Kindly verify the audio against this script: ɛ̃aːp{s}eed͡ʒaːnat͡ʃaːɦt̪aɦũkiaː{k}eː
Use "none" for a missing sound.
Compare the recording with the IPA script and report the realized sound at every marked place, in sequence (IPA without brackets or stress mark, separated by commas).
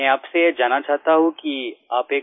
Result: s, p